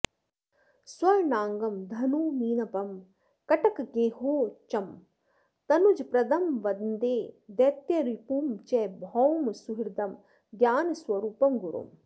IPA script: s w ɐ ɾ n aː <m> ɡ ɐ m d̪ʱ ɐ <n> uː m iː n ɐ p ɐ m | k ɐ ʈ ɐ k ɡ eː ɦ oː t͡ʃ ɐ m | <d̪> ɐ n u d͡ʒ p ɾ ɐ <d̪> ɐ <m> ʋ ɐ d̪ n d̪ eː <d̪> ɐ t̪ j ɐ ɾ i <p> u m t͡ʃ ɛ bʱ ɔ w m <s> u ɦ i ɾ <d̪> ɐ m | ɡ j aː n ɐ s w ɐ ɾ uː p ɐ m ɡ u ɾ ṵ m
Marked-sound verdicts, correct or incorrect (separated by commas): incorrect, correct, incorrect, correct, correct, correct, correct, correct, correct